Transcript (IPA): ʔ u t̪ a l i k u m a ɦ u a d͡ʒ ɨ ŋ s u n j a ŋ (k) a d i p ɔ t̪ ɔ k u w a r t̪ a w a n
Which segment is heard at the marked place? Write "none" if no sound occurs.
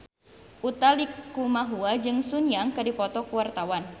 k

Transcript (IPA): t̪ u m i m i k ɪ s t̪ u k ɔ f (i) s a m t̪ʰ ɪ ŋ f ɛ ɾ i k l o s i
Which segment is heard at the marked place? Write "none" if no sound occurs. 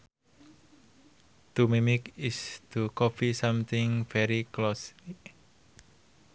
i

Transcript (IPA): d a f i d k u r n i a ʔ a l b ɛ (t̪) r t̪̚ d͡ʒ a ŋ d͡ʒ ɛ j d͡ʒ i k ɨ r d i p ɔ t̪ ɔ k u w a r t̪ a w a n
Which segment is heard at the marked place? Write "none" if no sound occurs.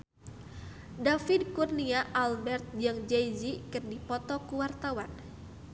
none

